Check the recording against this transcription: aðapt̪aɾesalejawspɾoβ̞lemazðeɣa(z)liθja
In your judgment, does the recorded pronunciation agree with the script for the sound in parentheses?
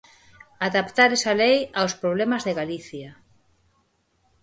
no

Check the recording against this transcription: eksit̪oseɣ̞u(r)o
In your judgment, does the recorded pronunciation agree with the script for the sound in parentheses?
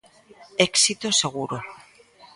no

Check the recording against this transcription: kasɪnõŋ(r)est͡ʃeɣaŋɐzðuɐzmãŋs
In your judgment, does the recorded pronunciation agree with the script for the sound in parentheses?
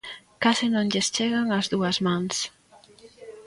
no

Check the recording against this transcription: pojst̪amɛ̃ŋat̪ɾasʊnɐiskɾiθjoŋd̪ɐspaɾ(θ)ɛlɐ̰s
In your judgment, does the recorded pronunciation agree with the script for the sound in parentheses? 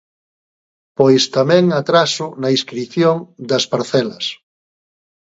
yes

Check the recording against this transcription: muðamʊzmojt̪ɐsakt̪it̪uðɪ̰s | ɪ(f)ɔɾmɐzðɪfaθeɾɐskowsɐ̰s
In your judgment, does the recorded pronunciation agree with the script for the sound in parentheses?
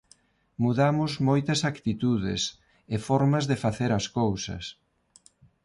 yes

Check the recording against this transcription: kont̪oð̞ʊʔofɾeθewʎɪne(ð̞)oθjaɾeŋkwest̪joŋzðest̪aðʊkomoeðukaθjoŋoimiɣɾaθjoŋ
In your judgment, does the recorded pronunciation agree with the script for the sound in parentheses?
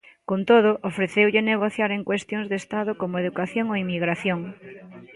no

